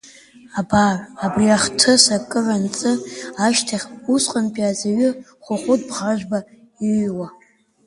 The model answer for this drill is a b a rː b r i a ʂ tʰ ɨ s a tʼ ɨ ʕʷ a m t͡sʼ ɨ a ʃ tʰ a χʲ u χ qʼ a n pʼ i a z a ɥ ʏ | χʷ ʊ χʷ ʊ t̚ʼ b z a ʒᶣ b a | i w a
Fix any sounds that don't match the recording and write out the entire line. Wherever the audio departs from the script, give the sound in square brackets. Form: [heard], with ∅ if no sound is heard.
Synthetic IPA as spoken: a b a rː b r i a [χ] tʰ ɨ s a [kʼ] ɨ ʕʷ a [n] t͡sʼ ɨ a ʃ tʰ a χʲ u [s] qʼ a n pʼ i a z a ɥ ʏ | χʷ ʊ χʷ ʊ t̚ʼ b [ʁ] a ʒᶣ b a | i w a